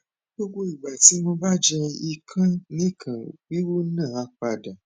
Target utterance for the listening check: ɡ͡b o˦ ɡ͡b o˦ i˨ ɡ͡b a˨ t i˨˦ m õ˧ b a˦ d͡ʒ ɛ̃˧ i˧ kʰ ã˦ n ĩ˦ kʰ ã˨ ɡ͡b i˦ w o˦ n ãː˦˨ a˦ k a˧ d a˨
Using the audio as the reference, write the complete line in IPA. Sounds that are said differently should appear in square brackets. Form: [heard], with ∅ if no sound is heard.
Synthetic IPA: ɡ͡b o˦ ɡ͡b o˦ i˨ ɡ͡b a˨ t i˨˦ m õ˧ b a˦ d͡ʒ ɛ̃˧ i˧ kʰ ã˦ n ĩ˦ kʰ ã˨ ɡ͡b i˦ w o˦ n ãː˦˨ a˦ [k͡p] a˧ d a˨